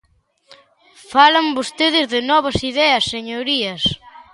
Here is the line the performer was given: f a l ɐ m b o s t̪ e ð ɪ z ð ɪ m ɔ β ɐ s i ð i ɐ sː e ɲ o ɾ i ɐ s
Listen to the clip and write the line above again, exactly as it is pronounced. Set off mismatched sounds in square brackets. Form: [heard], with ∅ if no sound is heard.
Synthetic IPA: f a l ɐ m b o s t̪ e ð ɪ z ð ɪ [n] ɔ β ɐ s i ð [ɛ] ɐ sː e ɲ o ɾ i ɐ s

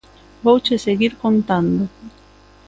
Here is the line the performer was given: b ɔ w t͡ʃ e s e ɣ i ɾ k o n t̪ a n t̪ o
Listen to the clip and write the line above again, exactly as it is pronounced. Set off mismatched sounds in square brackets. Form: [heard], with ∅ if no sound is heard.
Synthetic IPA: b [o] w t͡ʃ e s e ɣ i ɾ k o n t̪ a n [d̪] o

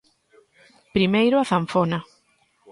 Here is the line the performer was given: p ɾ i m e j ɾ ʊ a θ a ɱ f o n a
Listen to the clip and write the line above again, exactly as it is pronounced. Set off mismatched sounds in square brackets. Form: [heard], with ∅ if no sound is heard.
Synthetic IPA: p ɾ i m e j ɾ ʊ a θ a ɱ f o n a

